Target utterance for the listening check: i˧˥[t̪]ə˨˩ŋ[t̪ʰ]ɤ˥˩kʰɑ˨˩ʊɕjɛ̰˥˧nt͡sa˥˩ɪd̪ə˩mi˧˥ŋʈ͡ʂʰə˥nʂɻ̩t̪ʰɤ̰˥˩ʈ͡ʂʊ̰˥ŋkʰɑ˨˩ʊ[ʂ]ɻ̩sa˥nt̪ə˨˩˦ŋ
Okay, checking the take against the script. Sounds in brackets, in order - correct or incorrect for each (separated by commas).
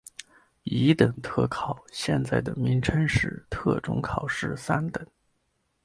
correct, correct, correct